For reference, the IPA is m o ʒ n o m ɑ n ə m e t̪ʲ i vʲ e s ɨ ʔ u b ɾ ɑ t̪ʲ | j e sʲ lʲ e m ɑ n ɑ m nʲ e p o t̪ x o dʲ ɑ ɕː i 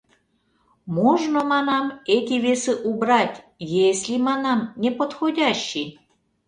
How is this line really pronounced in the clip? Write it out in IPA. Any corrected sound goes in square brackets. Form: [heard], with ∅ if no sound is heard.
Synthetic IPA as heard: m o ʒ n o m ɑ n [ɑ] m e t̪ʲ i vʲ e s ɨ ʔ u b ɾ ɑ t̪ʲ | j e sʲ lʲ [i] m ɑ n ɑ m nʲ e p o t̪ x o dʲ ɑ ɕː i

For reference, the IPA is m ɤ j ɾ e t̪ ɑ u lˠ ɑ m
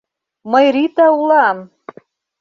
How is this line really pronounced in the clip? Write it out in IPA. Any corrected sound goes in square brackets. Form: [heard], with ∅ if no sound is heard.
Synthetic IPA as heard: m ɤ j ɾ [i] t̪ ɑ u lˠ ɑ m

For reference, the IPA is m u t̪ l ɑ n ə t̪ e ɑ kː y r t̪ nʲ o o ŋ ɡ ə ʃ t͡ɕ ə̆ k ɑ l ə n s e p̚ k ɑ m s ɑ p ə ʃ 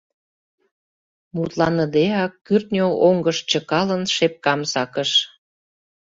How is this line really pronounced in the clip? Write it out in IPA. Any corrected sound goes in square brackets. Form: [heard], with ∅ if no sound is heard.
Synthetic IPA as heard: m u t̪ l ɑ n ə [d̪] e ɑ kː y r t̪ nʲ o o ŋ ɡ ə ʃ t͡ɕ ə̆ k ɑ l ə n [ʃ] e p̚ k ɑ m s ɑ [k] ə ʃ

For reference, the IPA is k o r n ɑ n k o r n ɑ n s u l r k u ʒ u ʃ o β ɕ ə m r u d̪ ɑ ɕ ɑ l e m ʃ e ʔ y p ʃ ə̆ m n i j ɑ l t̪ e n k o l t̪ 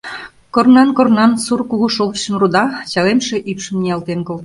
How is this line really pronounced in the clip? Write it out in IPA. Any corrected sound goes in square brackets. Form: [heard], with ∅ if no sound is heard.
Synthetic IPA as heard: k o r n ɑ n k o r n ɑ n s u [∅] r k u [ɣ] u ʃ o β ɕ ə m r u d̪ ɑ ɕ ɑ l e m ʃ e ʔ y p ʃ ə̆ m n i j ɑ l t̪ e n k o l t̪

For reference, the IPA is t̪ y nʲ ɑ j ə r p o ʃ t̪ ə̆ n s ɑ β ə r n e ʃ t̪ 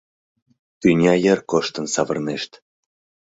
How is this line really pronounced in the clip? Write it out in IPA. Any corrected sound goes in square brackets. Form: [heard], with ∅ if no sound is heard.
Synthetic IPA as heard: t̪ y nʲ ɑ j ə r [k] o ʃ t̪ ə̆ n s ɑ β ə r n e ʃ t̪

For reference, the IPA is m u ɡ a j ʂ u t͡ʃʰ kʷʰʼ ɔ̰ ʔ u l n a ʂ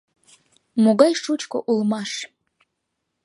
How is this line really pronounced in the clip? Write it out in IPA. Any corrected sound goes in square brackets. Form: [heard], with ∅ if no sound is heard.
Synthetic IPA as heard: m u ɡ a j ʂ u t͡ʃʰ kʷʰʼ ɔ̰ ʔ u l [m] a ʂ

